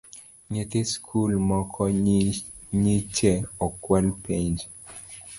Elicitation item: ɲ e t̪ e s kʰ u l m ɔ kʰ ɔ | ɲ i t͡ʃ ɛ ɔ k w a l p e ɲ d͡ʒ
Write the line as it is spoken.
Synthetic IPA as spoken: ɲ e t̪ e s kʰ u l m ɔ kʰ ɔ | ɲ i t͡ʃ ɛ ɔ k w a l p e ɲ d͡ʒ

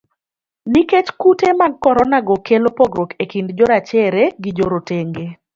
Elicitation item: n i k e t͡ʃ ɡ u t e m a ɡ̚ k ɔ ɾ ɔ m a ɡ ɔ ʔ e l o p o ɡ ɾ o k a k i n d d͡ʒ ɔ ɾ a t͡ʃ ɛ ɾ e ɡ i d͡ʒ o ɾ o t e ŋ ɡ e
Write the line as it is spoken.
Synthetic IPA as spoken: n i k e t͡ʃ k u t e m a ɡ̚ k ɔ ɾ ɔ n a ɡ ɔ k e l o p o ɡ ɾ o k e k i n d d͡ʒ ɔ ɾ a t͡ʃ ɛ ɾ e ɡ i d͡ʒ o ɾ o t e ŋ ɡ e

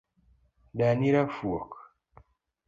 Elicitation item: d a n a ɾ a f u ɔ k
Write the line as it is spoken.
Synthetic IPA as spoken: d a n i ɾ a f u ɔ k

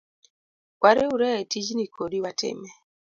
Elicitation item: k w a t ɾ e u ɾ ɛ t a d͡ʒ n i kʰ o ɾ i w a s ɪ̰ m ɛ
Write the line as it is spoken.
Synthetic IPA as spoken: k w a ɾ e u ɾ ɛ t i d͡ʒ n i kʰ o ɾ i w a t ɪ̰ m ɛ

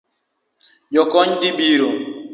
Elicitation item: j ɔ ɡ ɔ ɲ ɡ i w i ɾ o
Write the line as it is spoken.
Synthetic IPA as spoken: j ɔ k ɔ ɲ d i b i ɾ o

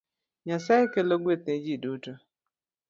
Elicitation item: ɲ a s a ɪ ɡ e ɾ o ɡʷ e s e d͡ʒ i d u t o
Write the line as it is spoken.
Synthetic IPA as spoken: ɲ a s a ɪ k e l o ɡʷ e t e d͡ʒ i d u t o

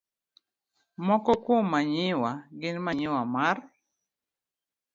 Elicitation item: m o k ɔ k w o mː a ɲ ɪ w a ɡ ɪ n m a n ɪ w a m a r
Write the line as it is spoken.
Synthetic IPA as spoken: m ɔ k ɔ k w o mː a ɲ ɪ w a ɡ ɪ n m a ɲ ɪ w a m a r

